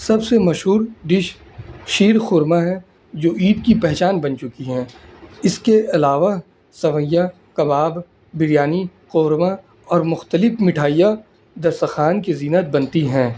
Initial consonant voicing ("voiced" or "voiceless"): voiceless